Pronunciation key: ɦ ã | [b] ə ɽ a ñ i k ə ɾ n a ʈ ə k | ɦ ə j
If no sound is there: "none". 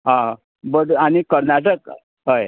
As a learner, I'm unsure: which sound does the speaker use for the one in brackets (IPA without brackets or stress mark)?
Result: b